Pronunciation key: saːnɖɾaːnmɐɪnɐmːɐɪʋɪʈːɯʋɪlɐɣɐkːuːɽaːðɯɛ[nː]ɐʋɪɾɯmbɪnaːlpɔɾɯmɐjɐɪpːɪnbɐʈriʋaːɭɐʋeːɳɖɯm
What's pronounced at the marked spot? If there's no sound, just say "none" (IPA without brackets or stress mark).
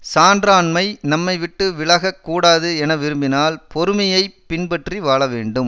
n